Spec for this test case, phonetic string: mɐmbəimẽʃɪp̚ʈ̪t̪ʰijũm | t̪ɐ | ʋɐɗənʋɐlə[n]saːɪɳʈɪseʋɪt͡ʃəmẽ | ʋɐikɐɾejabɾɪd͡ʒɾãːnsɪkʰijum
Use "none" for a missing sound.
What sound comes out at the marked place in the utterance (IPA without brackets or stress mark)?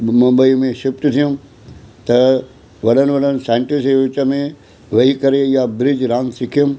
n